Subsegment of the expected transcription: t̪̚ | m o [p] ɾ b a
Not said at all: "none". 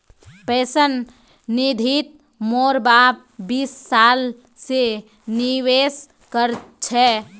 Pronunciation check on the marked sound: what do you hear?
none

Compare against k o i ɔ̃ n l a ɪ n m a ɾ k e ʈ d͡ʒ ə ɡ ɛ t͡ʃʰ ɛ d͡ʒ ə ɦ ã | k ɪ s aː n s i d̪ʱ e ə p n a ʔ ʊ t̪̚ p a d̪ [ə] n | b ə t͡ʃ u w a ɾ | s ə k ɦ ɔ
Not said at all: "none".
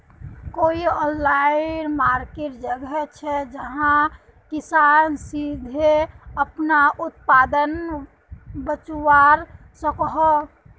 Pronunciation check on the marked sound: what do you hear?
ə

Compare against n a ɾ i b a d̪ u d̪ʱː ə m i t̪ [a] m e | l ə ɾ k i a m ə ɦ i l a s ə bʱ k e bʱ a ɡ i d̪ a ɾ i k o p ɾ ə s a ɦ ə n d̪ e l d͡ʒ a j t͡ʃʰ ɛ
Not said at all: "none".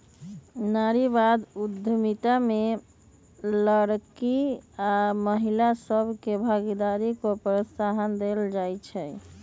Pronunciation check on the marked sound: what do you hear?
a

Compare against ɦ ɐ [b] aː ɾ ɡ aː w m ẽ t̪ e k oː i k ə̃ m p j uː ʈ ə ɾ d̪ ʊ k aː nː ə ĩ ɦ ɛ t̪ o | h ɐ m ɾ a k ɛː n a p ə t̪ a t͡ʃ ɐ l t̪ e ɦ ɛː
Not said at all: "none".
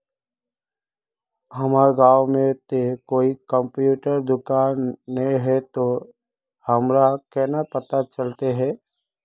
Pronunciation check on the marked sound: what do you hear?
m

